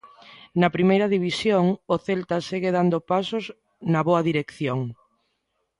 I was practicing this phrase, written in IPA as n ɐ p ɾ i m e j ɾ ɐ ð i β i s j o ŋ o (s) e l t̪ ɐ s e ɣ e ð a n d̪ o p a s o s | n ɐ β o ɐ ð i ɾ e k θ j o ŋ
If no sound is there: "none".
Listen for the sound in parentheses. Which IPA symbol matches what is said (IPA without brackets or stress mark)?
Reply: θ